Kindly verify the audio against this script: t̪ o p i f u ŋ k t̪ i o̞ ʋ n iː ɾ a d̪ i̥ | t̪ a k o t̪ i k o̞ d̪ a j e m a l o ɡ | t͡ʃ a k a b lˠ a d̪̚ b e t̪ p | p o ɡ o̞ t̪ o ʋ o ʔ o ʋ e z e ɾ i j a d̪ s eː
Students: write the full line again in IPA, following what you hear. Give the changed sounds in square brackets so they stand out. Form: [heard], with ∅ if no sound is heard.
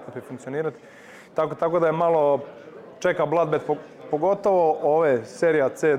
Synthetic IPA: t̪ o p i f u ŋ k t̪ i o̞ [∅] n iː ɾ a [t̪] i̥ | t̪ a k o t̪ [a] k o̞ d̪ a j e m a l o [∅] | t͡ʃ [e] k a b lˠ a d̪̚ b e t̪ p | p o ɡ o̞ t̪ o ʋ o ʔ o ʋ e [s] e ɾ i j a [t̪] s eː